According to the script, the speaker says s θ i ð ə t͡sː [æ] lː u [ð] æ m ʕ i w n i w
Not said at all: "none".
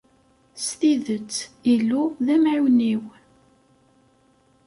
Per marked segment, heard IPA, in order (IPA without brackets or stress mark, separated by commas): i, ð